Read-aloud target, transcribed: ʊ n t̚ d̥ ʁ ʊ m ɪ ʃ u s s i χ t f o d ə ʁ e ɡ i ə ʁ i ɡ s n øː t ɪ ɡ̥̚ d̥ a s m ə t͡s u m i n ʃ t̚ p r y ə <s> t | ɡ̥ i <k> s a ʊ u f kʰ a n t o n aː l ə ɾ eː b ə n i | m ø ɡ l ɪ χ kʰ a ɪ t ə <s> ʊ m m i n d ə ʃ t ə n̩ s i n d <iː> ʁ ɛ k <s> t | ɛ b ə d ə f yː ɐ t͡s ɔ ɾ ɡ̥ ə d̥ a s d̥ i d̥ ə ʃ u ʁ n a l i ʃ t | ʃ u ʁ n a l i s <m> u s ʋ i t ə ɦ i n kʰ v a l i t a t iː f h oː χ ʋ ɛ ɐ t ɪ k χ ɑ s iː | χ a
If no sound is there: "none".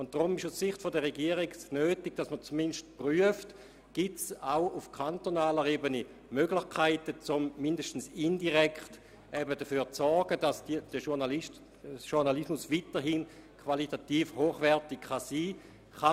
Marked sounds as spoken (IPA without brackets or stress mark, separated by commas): f, t, t͡s, i, χ, m